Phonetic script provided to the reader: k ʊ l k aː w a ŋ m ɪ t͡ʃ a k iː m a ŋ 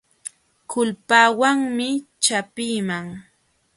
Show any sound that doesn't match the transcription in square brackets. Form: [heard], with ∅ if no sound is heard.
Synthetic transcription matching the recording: k ʊ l [p] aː w a ŋ m ɪ t͡ʃ a [p] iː m a ŋ